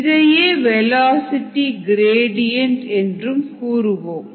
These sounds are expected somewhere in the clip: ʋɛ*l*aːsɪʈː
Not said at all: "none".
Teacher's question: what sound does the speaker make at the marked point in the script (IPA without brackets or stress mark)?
l